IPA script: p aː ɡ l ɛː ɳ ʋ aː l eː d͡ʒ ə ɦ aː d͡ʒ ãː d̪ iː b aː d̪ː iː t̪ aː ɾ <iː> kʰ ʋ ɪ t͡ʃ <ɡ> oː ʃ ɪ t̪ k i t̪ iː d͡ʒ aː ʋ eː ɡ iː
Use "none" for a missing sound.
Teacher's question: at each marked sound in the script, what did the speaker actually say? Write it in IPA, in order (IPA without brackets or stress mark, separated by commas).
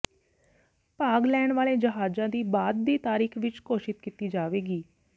iː, k